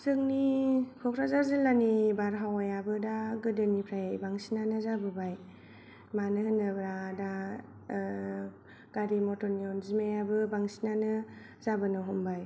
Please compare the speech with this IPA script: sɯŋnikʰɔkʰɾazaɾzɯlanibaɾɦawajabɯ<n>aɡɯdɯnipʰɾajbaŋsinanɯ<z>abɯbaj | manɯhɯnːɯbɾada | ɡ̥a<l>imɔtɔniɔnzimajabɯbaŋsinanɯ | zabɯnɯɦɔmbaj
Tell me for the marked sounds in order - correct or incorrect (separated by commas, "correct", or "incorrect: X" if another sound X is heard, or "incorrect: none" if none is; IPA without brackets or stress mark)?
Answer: incorrect: d, correct, incorrect: ɾ